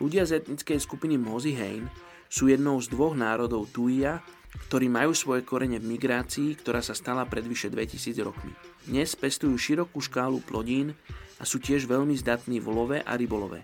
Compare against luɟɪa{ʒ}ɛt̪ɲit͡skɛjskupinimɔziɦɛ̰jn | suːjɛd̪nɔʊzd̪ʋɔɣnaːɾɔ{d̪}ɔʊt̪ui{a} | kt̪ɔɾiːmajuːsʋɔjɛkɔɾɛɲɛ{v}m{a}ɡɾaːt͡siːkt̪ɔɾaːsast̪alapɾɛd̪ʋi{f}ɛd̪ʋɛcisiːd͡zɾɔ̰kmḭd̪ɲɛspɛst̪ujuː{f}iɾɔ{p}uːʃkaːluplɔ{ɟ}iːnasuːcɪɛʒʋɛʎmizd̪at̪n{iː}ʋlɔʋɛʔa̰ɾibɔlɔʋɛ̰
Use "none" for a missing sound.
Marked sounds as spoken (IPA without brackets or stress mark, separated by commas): z, d̪, a, v, i, ʃ, ʃ, k, ɟ, iː